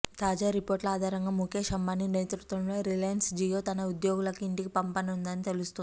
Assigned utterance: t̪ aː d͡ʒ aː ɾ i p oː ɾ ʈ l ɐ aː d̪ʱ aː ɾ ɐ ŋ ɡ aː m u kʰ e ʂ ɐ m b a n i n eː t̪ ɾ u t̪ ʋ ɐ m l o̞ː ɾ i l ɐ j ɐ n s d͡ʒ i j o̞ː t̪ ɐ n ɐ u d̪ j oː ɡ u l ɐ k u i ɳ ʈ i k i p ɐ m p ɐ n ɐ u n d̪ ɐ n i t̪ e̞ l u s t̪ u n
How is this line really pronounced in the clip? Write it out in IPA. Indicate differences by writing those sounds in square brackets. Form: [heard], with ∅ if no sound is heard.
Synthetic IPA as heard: t̪ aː d͡ʒ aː ɾ i p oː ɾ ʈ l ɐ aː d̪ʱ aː ɾ ɐ ŋ ɡ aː m u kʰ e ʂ ɐ m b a n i n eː t̪ ɾ u t̪ ʋ ɐ m l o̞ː ɾ i l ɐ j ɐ n s d͡ʒ i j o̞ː t̪ ɐ n ɐ u d̪ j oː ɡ u l ɐ k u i ɳ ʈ i k i p ɐ m p ɐ n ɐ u n d̪ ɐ n i t̪ e̞ l u s t̪ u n